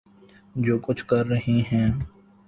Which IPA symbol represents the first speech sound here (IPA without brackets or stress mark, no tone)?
d͡ʒ